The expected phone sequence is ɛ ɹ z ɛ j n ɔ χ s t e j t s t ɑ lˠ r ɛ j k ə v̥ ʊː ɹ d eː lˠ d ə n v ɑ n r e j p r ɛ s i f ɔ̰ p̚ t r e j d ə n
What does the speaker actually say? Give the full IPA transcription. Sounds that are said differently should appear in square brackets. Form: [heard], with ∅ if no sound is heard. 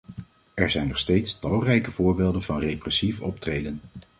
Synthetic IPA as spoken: ɛ ɹ z ɛ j n ɔ χ s t e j t s t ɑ lˠ r ɛ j k ə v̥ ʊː ɹ [b] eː lˠ d ə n v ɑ n r e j p r ɛ s i f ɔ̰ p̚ t r e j d ə n